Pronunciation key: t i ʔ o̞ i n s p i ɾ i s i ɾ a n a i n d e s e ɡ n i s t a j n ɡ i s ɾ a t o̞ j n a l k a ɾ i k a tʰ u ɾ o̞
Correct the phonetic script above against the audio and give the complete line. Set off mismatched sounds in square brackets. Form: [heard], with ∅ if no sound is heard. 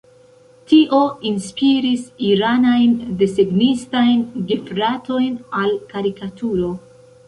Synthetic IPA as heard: t i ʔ o̞ i n s p i ɾ i s i ɾ a n a [j] n d e s e ɡ n i s t a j n ɡ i [f] ɾ a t o̞ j n a l k a ɾ i k a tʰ u ɾ o̞

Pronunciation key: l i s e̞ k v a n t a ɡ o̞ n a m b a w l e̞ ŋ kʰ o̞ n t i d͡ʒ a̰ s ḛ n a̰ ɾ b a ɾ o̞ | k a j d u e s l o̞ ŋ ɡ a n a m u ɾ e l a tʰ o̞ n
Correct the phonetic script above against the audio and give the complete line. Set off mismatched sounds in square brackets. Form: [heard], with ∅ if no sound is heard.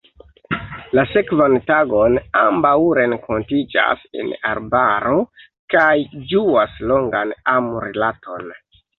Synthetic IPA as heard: l [a] s e̞ k v a n t a ɡ o̞ n a m b a w [ɾ] e̞ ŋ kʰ o̞ n t i d͡ʒ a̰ s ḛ n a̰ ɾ b a ɾ o̞ | k a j [d͡ʒ] u [a] s l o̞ ŋ ɡ a n a m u ɾ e l a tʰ o̞ n

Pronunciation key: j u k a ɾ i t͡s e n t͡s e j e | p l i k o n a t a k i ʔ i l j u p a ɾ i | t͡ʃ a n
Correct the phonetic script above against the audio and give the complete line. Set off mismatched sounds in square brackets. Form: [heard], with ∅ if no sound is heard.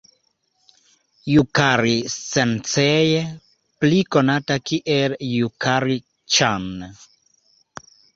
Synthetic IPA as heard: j u k a ɾ i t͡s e n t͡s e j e | p l i k o n a t a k i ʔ [e] l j u [k] a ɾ i | t͡ʃ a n

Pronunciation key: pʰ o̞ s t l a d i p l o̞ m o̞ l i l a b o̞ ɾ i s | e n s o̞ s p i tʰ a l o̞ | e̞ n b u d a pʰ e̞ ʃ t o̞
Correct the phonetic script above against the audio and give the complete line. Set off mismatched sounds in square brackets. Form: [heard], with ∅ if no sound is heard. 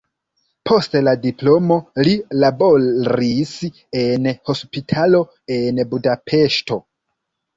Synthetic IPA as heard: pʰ o̞ s t l a d i p l o̞ m o̞ l i l a b o̞ ɾ i s | e n [h] o̞ s p i tʰ a l o̞ | e̞ n b u d a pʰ e̞ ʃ t o̞

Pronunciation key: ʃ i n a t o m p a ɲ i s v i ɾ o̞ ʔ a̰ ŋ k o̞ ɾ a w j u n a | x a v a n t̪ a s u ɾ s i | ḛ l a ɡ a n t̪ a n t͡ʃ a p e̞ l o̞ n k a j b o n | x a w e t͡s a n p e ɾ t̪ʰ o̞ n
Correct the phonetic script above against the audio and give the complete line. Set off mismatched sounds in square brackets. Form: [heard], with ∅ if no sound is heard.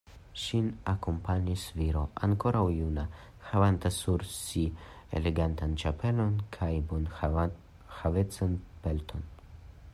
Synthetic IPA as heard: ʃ i n a [k] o m p a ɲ i s v i ɾ o̞ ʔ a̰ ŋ k o̞ ɾ a w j u n a | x a v a n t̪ a s u ɾ s i | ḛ l [e] ɡ a n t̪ a n t͡ʃ a p e̞ l o̞ n [kʰ] a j b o n | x a [v] e t͡s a n p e [l] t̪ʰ o̞ n

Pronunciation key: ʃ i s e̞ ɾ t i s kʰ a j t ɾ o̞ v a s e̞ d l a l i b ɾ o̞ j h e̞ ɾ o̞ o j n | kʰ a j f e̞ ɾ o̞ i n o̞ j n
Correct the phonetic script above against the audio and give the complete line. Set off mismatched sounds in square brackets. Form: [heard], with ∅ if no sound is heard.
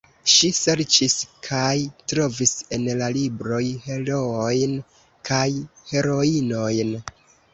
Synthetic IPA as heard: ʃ i s e̞ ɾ [t͡ʃ] i s kʰ a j t ɾ o̞ v [i] s e̞ [n] l a l i b ɾ o̞ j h e̞ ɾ o̞ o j n | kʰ a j [h] e̞ ɾ o̞ i n o̞ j n

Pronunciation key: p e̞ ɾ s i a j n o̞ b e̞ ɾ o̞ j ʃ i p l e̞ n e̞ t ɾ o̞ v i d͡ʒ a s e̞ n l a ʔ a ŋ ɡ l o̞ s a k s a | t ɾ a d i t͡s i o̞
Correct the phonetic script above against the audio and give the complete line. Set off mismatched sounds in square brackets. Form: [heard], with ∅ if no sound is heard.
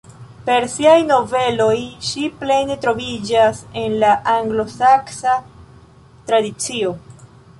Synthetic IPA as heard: p e̞ ɾ s i a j n o̞ [v] e̞ [l] o̞ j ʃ i p l e̞ n e̞ t ɾ o̞ v i d͡ʒ a s e̞ n l a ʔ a ŋ ɡ l o̞ s a k s a | t ɾ a d i t͡s i o̞

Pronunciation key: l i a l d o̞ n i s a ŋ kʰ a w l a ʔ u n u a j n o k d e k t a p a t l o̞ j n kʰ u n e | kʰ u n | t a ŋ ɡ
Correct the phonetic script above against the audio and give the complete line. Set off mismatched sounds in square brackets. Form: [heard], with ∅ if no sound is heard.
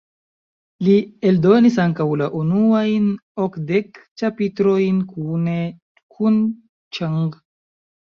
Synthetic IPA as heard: l i [e] l d o̞ n i s a ŋ [k] a w l a ʔ u n u a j n o k d e k [t͡ʃ] a p [i] t [ɾ] o̞ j n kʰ u n e | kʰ u n | [t͡ʃ] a ŋ ɡ

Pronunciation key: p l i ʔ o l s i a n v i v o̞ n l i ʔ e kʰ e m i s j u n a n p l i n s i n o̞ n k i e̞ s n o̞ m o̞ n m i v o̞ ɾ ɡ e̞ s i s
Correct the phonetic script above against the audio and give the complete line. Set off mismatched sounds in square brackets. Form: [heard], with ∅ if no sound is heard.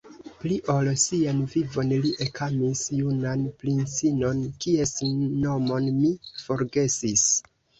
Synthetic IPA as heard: p l i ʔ o l s i a n v i v o̞ n l i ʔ e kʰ [a] m i s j u n a n p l i n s i n o̞ n k i e̞ s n o̞ m o̞ n m i [f] o̞ ɾ ɡ e̞ s i s

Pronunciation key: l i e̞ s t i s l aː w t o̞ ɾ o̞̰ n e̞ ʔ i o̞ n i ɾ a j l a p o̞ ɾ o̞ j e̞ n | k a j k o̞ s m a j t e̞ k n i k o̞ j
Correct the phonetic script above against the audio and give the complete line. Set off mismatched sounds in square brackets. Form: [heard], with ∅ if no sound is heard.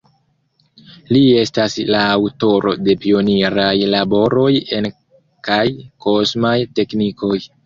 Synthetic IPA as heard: l i e̞ s t [a] s l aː w t o̞ ɾ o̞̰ [d] e̞ [p] i o̞ n i ɾ a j l a [b] o̞ ɾ o̞ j e̞ n | k a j k o̞ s m a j t e̞ k n i k o̞ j

